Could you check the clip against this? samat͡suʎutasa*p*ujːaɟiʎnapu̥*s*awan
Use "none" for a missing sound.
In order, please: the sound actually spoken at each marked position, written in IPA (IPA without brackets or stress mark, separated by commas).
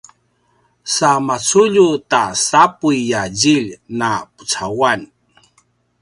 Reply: p, t͡s